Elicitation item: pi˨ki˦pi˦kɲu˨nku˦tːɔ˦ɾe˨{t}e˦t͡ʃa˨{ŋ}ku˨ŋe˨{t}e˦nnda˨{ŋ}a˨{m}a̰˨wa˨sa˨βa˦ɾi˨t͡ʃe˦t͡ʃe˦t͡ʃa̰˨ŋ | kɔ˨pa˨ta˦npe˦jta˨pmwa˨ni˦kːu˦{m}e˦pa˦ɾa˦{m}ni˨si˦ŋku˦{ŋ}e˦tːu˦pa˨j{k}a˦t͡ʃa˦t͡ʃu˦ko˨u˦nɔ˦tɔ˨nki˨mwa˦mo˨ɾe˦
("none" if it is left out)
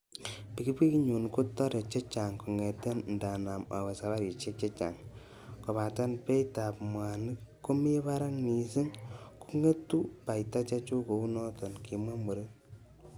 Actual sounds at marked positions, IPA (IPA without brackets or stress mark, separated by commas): t͡ʃ, ŋ, t, n, m, m, ŋ, ŋ, t